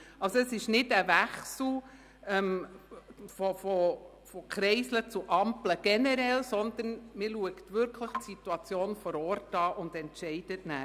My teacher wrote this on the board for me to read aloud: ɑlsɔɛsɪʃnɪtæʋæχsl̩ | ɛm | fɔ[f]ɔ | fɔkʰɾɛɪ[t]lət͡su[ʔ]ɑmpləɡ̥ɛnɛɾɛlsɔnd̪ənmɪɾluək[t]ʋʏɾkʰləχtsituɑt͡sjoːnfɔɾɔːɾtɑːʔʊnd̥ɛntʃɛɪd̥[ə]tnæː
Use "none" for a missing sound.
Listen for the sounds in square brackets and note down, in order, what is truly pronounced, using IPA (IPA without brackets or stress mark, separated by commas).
f, s, ʔ, t, ə